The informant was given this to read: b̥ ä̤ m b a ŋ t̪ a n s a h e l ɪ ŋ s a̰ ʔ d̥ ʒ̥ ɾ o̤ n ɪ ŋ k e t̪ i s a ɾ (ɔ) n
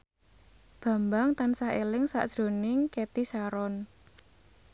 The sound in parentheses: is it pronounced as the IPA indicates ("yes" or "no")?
yes